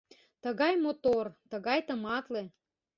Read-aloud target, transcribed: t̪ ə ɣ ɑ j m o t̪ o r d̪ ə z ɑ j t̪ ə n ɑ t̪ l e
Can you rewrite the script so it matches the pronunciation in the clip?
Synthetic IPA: t̪ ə ɣ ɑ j m o t̪ o r t̪ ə ɣ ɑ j t̪ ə m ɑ t̪ l e